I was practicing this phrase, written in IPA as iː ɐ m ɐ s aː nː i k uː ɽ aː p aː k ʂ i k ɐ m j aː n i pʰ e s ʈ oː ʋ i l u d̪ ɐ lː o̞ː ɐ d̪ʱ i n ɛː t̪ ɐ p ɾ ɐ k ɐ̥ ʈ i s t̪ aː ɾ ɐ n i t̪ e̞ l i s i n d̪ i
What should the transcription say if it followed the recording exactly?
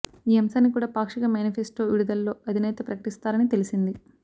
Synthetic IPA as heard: iː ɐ m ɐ s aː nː i k uː ɽ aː p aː k ʂ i k ɐ m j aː n i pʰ e s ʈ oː ʋ i ɽ u d̪ ɐ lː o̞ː ɐ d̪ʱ i n ɛː t̪ ɐ p ɾ ɐ k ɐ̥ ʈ i s t̪ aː ɾ ɐ n i t̪ e̞ l i s i n d̪ i

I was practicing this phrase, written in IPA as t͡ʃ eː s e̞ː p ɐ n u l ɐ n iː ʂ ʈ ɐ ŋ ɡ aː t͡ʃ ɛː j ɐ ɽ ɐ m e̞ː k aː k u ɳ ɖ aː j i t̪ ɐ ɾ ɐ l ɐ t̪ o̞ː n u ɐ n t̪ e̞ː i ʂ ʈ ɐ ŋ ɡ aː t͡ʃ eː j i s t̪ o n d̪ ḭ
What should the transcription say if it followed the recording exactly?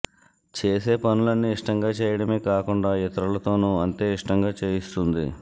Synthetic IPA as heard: t͡ʃ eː s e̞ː p ɐ n u l ɐ nː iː ʂ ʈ ɐ ŋ ɡ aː t͡ʃ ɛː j ɐ ɽ ɐ m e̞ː k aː k u ɳ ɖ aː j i t̪ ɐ ɾ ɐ l ɐ t̪ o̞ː n u ɐ n t̪ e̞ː i ʂ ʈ ɐ ŋ ɡ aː t͡ʃ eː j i s t̪ u n d̪ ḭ

